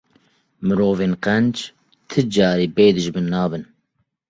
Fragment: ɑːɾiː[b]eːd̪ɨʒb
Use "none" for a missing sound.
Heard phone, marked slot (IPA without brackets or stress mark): b